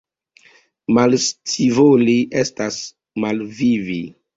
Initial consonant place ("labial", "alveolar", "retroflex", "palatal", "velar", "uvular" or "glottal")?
labial